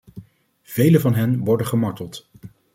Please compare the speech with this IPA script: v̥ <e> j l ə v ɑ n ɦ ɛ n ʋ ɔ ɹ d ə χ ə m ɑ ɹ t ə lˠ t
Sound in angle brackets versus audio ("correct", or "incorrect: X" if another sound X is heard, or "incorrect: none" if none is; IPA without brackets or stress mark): correct